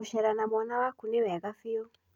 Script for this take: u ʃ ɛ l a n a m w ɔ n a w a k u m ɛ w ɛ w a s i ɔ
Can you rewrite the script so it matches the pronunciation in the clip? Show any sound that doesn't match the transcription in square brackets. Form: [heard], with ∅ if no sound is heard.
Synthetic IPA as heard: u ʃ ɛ [ɾ] a n a m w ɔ n a w a k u [n] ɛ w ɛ [ɣ] a [f] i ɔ